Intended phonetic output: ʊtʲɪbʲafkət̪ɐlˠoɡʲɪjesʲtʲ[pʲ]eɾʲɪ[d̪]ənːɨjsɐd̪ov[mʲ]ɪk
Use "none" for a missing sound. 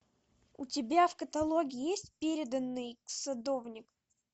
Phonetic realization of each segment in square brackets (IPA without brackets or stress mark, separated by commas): pʲ, d̪, nʲ